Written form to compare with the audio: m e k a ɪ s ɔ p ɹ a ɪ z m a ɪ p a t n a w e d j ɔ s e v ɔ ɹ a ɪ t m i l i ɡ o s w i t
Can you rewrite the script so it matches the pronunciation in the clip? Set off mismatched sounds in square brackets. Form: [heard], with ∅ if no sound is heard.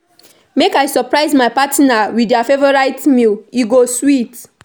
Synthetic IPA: m e k a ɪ s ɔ p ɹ a ɪ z m a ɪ p a t n a w [i] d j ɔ [f] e v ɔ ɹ a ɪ t m i l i ɡ o s w i t